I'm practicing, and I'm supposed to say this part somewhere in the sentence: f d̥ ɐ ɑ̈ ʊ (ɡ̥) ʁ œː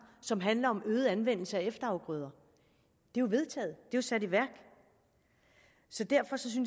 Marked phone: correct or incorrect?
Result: correct